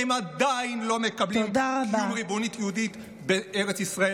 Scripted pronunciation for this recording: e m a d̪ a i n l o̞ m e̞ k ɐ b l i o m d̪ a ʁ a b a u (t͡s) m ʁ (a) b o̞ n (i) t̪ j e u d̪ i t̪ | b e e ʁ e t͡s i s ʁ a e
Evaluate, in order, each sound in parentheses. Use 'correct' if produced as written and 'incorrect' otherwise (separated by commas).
incorrect, incorrect, correct